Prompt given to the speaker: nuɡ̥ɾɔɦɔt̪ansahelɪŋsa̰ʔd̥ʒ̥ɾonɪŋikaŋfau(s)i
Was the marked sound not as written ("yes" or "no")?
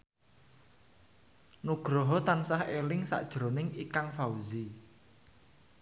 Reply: yes